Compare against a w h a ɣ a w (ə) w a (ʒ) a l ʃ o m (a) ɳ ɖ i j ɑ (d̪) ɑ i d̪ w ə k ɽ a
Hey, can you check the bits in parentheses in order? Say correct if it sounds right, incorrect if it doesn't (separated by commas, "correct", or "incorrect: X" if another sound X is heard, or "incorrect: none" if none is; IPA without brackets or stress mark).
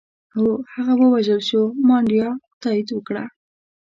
correct, correct, incorrect: ɑ, incorrect: t̪